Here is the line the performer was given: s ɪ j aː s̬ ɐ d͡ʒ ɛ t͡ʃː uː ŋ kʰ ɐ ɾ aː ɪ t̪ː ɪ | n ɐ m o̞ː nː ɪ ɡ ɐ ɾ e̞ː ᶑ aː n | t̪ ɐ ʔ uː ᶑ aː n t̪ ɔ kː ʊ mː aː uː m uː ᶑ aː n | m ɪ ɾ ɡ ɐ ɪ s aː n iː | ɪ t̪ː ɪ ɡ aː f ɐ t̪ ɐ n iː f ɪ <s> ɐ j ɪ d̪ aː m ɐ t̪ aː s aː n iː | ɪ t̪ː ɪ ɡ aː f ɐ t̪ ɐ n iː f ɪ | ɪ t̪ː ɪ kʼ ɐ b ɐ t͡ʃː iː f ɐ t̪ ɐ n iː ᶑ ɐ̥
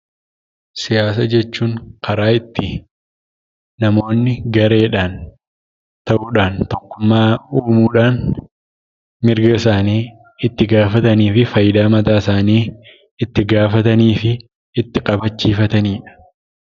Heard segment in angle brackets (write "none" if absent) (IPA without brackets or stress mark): f